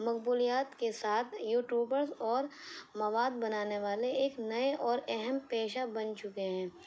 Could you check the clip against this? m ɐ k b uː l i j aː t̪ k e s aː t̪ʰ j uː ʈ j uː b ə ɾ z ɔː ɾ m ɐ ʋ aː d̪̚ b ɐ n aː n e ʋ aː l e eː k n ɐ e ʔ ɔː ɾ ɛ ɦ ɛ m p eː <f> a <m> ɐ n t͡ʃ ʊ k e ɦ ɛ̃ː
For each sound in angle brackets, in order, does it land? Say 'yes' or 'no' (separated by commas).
no, no